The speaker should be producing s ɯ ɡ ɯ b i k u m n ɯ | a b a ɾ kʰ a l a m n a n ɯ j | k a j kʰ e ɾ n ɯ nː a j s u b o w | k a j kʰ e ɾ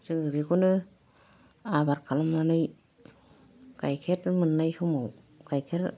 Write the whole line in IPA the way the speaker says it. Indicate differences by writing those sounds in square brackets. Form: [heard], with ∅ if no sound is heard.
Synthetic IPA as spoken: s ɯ [ŋ] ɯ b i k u [∅] n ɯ | a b a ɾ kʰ a l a m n a n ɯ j | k a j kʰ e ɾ [m] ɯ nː a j s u [m] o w | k a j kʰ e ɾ